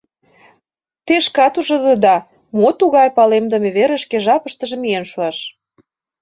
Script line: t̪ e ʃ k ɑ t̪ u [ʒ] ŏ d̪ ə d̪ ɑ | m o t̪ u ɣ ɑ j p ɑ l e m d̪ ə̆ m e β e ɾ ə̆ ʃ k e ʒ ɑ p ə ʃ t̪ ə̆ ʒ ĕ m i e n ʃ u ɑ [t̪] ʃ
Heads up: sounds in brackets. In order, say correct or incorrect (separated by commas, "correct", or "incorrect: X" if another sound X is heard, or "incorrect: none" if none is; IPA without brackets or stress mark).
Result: correct, incorrect: none